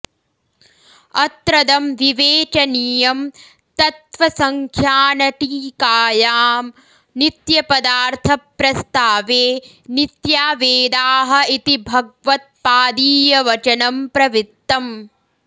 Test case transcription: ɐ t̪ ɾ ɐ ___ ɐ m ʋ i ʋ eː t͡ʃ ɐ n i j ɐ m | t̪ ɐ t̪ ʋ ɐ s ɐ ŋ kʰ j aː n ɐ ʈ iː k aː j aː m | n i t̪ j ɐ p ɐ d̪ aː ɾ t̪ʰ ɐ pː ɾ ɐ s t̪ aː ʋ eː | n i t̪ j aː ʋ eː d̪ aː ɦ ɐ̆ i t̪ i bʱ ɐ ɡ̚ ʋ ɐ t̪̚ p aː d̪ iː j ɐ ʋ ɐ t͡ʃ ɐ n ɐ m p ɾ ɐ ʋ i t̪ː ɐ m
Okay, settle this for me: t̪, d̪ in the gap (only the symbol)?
d̪